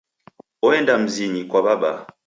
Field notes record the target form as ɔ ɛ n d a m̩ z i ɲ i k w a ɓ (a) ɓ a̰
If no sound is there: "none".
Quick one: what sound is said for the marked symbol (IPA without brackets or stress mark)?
a